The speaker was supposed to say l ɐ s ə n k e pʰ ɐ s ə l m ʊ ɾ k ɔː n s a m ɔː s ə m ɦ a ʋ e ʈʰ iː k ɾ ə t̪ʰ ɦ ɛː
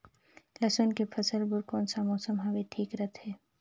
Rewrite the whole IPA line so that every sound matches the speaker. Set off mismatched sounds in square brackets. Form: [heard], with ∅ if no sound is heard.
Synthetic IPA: l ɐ s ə n k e pʰ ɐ s ə l [b] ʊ ɾ k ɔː n s a m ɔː s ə m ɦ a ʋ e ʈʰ iː k ɾ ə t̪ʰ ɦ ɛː